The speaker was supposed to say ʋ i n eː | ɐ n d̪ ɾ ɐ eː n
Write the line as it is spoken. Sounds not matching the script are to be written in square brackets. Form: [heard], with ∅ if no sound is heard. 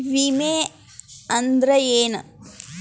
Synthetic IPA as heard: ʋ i [m] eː | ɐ n d̪ ɾ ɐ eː n